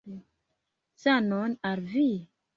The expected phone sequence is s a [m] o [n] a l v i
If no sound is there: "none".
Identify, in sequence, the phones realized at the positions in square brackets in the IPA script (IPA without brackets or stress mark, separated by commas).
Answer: n, n